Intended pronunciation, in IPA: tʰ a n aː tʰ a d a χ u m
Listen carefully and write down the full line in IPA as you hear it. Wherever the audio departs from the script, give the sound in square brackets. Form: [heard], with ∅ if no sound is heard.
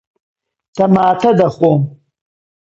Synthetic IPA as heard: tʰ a [m] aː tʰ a d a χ [o] m